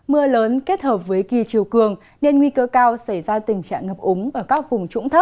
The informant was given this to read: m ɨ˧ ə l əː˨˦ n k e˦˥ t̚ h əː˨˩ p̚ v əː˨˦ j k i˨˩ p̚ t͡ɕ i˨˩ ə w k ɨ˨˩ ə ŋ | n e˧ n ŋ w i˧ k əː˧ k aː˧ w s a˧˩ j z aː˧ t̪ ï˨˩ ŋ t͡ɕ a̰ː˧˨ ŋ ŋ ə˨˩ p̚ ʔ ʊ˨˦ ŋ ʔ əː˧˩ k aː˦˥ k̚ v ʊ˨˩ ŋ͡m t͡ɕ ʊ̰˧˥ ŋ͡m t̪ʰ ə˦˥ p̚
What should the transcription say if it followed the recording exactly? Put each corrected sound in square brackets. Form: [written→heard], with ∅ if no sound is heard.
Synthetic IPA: m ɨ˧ ə l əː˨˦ n k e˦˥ t̚ h əː˨˩ p̚ v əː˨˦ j k i˨˩ [p̚→∅] t͡ɕ i˨˩ ə w k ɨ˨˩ ə ŋ | n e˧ n ŋ w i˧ k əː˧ k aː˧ w s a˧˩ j z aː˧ t̪ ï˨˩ ŋ t͡ɕ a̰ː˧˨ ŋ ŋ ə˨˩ p̚ ʔ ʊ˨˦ [ŋ→ŋ͡m] ʔ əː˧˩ k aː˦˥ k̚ v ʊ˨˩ ŋ͡m t͡ɕ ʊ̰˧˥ ŋ͡m t̪ʰ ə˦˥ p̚

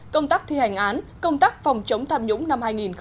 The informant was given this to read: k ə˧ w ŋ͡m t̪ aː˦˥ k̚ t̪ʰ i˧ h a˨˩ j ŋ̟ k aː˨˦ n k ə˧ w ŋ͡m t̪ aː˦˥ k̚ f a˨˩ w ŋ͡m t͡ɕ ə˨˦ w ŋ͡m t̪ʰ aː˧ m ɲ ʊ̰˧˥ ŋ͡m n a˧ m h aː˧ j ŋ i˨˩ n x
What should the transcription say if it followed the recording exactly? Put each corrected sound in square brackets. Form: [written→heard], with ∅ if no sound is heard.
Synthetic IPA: k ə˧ w ŋ͡m t̪ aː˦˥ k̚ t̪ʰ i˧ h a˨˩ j ŋ̟ [k→ʔ] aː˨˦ n k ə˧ w ŋ͡m t̪ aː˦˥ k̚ f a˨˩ w ŋ͡m t͡ɕ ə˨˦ w ŋ͡m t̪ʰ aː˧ m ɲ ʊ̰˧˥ ŋ͡m n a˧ m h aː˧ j ŋ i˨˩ n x

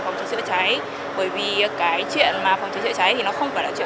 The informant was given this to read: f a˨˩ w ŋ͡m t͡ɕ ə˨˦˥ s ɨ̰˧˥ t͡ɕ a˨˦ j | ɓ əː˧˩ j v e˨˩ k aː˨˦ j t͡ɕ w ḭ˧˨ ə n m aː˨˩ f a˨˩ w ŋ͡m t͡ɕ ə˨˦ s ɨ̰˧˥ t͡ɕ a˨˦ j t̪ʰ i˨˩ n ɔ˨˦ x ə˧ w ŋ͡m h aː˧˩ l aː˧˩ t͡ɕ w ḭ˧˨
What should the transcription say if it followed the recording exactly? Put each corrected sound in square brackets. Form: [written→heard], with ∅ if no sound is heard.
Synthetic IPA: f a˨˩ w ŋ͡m t͡ɕ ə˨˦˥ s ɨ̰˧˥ t͡ɕ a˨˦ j | ɓ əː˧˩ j v [e˨˩→i˨˩] k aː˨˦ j t͡ɕ w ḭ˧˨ ə n m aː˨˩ f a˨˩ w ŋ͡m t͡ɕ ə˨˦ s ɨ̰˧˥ t͡ɕ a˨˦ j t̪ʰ i˨˩ n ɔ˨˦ x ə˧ w ŋ͡m [h→f] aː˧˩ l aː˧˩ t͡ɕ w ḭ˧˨

